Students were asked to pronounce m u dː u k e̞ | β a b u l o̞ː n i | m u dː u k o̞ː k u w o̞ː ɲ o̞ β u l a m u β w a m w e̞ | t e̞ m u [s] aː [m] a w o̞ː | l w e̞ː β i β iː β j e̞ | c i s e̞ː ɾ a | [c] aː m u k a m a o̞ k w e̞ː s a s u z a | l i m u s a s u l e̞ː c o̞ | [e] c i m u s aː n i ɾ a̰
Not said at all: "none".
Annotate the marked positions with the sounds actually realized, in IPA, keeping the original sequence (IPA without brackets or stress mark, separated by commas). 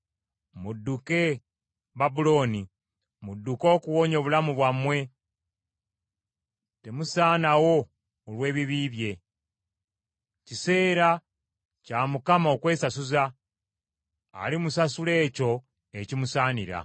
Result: s, n, c, e